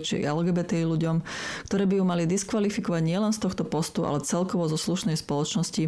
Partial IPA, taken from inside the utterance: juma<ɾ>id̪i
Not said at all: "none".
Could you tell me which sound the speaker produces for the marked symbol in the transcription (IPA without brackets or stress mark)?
l